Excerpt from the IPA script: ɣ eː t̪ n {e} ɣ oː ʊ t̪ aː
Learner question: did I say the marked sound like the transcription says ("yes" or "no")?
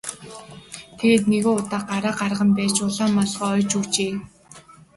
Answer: yes